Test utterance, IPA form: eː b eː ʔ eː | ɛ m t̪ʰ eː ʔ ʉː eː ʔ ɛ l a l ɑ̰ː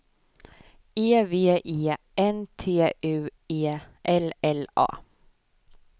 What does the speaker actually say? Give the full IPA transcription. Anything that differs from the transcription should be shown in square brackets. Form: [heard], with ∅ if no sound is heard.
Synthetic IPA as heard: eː [v] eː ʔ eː | ɛ [n] t̪ʰ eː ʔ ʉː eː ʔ ɛ l [ɛ] l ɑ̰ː

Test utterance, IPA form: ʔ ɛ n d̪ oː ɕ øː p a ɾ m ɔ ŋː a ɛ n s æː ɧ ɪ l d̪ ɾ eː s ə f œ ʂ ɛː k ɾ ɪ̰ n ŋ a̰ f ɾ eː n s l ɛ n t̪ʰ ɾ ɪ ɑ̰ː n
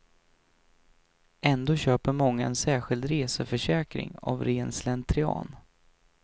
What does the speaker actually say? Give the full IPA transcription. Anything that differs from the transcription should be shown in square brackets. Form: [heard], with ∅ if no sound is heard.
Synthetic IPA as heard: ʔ ɛ n d̪ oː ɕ øː p [ə] ɾ m ɔ ŋː a ɛ n s æː ɧ ɪ l d̪ ɾ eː s ə f œ ʂ ɛː k ɾ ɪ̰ [∅] ŋ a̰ [v] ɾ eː n s l ɛ n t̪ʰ ɾ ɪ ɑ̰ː n

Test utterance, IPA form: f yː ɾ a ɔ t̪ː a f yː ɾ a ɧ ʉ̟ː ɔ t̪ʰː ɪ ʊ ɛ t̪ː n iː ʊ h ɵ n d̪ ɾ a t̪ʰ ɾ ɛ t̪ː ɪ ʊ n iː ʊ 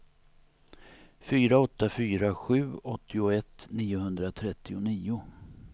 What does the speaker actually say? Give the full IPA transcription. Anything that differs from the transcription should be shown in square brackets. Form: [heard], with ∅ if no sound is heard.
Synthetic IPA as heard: f yː ɾ a ɔ t̪ː a f yː ɾ a ɧ ʉ̟ː ɔ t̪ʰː ɪ ʊ ɛ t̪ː n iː ʊ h ɵ n d̪ ɾ a t̪ʰ ɾ ɛ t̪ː ɪ ʊ n iː ʊ

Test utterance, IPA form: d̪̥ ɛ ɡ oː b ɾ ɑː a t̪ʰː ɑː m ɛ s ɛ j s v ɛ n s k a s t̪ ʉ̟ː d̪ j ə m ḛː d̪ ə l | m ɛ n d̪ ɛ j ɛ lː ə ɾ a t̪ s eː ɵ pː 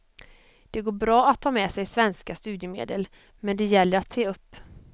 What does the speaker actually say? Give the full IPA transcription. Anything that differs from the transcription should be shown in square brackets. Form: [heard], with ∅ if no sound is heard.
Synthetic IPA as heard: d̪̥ ɛ ɡ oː b ɾ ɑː a t̪ʰː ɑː m ɛ s ɛ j s v ɛ n s k a s t̪ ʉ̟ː d̪ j ə m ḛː d̪ ə l | m ɛ n d̪ ɛ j ɛ lː ə ɾ a t̪ s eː ɵ pː

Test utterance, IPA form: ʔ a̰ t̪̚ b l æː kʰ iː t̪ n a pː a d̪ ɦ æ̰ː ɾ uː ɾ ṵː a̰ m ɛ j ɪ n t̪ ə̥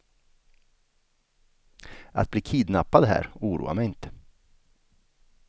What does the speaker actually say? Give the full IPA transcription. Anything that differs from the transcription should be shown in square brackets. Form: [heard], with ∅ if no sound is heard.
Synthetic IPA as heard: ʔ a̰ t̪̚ b l [iː] kʰ iː [d̪] n a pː a d̪ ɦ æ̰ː ɾ uː ɾ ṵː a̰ m ɛ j ɪ n t̪ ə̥

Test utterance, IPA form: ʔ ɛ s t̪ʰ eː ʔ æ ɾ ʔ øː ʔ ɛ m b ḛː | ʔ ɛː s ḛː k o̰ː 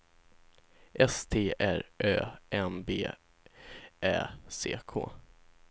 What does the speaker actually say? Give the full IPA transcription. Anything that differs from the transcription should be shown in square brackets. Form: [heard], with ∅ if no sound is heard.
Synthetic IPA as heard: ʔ ɛ s t̪ʰ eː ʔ æ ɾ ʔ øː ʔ ɛ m b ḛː | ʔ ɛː s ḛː [kʰ] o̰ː

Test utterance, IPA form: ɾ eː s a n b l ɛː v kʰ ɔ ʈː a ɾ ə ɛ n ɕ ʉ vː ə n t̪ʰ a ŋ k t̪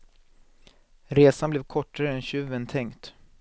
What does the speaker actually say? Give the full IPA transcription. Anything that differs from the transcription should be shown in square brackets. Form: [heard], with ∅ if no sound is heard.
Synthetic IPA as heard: ɾ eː s a n b l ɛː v kʰ ɔ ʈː a ɾ ə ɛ n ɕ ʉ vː ə n t̪ʰ [ɛ] ŋ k t̪

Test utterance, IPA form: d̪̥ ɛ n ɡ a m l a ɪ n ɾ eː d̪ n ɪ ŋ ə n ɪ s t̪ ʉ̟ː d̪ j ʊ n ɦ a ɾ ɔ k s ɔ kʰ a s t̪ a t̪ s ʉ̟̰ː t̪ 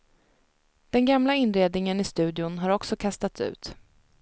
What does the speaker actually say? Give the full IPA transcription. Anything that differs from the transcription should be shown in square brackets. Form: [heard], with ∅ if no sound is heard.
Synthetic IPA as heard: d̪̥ ɛ n ɡ a m l a ɪ n ɾ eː d̪ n ɪ ŋ ə n ɪ s t̪ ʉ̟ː d̪ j ʊ n ɦ a ɾ ɔ k s ɔ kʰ a s t̪ a t̪ s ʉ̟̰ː t̪

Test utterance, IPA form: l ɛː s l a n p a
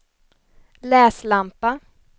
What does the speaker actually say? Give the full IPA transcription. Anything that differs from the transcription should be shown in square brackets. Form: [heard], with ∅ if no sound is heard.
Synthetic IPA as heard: l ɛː s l a [m] p a

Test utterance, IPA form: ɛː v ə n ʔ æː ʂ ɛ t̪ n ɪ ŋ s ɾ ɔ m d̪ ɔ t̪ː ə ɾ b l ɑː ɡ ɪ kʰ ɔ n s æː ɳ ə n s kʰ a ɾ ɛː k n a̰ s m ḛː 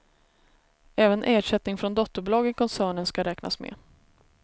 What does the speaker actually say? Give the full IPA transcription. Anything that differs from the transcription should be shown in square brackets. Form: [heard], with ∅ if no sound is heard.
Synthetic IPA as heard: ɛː v ə n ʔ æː ʂ ɛ t̪ n ɪ ŋ [f] ɾ ɔ [n] d̪ ɔ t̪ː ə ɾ b l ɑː ɡ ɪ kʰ ɔ n s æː ɳ ə n s [k] a ɾ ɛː k n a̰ s m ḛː

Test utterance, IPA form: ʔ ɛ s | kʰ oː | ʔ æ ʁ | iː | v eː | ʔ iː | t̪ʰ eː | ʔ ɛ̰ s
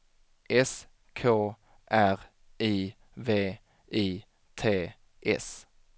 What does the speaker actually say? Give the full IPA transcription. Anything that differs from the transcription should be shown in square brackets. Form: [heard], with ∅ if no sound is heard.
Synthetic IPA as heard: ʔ ɛ s | kʰ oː | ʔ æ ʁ | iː | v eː | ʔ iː | t̪ʰ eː | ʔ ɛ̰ s

